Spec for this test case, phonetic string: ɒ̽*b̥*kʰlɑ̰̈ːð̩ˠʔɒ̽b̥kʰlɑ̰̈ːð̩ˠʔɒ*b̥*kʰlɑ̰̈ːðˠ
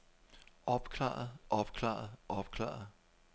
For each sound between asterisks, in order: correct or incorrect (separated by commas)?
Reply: correct, correct